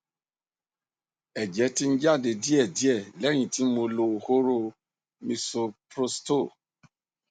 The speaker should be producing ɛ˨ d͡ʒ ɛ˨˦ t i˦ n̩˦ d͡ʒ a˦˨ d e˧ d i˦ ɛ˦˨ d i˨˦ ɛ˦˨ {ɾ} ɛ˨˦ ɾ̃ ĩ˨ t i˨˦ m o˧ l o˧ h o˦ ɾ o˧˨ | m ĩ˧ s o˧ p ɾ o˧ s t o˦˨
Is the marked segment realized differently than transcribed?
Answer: yes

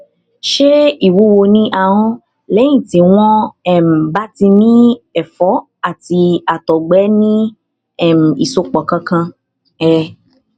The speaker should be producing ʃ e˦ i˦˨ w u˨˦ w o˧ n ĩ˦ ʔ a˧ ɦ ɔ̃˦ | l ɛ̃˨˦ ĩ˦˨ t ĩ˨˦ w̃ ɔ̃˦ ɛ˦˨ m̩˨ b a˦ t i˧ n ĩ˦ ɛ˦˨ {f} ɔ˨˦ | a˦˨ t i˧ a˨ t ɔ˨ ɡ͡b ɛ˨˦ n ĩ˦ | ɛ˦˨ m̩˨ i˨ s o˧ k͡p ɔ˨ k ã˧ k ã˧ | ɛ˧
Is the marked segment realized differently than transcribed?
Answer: no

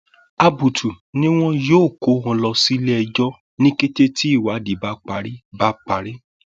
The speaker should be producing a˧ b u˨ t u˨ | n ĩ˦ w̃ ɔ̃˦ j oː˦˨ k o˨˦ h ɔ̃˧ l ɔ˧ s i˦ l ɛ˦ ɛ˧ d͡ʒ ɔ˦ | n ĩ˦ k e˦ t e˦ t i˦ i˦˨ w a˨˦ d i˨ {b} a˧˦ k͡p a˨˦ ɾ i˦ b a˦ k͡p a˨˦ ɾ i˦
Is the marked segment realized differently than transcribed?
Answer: no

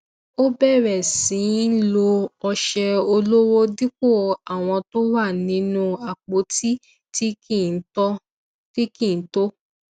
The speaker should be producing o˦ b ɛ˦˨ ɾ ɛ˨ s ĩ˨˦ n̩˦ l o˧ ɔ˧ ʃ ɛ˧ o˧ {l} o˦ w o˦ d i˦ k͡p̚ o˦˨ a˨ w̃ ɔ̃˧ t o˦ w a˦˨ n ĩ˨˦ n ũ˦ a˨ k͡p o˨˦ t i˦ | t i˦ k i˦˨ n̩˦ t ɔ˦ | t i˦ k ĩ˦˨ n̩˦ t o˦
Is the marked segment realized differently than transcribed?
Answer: no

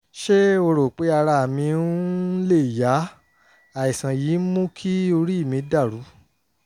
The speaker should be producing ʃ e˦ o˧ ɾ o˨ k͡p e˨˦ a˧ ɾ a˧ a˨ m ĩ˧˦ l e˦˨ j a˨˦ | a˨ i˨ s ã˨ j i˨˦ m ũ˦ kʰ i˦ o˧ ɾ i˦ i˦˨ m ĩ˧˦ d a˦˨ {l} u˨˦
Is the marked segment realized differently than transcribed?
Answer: yes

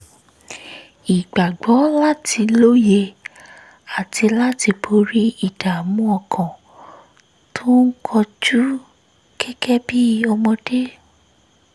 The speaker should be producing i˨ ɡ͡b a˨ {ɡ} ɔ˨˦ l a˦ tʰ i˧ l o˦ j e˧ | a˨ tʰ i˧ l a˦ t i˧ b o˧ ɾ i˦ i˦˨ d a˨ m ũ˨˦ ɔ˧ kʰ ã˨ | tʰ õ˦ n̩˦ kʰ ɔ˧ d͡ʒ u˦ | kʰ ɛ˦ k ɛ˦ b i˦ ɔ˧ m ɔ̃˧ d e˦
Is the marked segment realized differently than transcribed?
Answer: yes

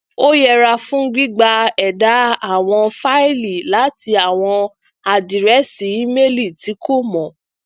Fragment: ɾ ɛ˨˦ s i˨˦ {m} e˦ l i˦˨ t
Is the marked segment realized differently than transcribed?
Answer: no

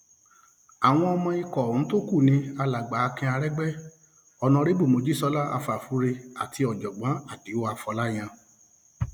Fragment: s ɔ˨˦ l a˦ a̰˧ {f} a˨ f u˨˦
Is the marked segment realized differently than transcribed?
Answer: no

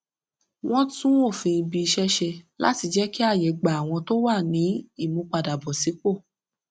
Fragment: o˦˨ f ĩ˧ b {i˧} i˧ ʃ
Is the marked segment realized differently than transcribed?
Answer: no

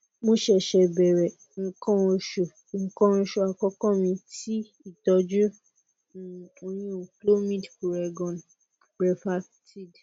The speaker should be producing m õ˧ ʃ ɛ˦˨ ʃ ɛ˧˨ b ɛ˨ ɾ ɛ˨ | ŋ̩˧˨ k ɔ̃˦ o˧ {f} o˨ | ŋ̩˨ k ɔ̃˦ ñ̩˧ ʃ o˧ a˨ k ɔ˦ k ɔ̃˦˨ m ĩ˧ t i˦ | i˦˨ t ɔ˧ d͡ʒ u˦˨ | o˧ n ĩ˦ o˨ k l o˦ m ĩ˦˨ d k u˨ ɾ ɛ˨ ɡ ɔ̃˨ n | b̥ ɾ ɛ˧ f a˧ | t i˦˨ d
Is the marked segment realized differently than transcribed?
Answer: yes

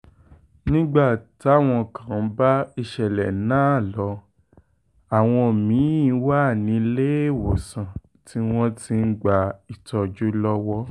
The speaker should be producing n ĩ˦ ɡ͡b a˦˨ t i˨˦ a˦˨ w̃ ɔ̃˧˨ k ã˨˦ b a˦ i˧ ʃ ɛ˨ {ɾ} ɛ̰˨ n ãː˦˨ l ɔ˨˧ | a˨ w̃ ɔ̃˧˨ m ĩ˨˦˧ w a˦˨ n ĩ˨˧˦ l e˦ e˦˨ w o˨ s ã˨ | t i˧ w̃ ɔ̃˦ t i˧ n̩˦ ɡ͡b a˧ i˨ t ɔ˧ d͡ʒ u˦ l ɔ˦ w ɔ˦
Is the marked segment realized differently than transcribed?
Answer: yes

